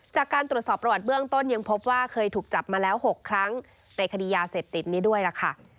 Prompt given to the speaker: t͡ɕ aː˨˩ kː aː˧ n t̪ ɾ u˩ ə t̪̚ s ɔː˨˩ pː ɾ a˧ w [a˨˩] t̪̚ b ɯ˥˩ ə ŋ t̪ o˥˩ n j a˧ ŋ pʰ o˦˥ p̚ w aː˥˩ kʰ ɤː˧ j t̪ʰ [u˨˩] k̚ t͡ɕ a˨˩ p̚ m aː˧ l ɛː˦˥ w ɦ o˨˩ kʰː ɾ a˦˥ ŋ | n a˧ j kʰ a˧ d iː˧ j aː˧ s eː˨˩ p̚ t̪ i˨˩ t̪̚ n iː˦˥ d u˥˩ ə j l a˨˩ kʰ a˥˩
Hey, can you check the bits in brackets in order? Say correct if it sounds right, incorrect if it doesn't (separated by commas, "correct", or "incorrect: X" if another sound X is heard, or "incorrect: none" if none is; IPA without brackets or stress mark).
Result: correct, incorrect: uː˨˩